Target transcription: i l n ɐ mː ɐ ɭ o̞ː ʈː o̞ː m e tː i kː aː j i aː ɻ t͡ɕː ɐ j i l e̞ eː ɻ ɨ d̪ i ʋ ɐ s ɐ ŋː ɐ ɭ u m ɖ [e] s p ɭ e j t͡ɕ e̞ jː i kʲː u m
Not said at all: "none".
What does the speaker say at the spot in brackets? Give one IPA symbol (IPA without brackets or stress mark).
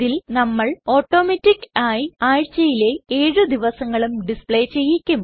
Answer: i